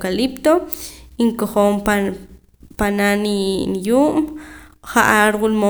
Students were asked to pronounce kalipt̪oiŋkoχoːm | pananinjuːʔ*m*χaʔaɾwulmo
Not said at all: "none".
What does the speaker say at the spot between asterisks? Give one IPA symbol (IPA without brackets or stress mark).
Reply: m